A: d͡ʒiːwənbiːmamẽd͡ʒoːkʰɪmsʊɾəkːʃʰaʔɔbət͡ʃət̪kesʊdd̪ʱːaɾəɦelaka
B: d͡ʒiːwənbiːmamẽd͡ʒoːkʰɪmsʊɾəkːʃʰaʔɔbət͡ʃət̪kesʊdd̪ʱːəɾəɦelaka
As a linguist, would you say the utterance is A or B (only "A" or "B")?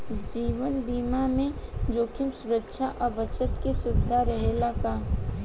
A